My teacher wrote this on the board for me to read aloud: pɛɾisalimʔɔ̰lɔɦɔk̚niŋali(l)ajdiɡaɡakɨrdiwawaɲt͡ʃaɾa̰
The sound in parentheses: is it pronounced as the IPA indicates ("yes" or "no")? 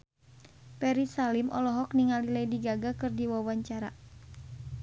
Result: yes